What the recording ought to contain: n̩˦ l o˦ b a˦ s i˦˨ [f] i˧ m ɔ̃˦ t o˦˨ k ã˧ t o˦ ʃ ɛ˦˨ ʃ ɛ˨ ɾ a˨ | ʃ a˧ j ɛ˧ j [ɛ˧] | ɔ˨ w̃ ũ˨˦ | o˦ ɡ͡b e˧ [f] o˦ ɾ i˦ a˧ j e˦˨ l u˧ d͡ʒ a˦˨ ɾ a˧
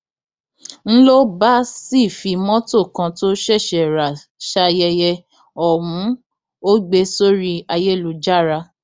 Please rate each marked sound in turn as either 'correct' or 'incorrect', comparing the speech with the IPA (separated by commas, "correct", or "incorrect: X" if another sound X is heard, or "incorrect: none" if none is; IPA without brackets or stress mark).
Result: correct, correct, incorrect: s